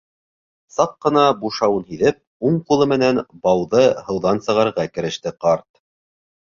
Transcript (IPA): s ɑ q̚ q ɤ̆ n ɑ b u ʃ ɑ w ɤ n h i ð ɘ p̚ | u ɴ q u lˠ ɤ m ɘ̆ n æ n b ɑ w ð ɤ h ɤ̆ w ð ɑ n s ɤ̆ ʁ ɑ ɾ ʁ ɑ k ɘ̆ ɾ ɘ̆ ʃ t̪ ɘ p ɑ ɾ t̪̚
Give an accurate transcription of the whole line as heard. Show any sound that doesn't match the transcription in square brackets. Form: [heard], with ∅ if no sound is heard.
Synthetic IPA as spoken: s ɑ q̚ q ɤ̆ n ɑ b u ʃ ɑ w ɤ n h i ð ɘ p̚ | u ɴ q u lˠ ɤ m ɘ̆ n æ n b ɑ w ð ɤ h ɤ̆ w ð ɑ n s ɤ̆ ʁ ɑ ɾ ʁ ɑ k ɘ̆ ɾ ɘ̆ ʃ t̪ ɘ [q] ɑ ɾ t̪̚